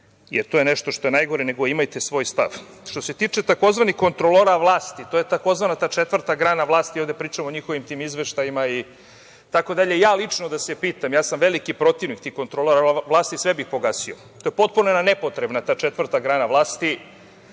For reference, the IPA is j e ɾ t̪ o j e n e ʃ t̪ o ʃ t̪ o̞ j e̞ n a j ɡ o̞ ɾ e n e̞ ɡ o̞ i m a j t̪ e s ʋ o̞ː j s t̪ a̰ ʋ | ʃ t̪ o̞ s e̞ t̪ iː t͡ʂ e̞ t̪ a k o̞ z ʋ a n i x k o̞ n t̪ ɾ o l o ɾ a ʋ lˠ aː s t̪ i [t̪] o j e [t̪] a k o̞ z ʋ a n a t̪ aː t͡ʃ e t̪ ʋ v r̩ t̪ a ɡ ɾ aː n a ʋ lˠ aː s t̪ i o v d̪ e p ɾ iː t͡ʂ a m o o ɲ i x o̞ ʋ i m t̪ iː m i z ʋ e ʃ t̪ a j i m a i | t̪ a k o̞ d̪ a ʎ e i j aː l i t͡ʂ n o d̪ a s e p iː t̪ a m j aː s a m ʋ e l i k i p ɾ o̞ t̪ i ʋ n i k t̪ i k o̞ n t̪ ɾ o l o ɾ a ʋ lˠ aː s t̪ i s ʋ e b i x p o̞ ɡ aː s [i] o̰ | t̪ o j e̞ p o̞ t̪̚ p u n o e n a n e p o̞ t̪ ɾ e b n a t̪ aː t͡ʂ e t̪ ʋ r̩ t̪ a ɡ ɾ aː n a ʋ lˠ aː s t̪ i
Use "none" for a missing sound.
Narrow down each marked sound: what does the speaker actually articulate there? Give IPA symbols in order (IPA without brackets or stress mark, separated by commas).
t̪, t̪, i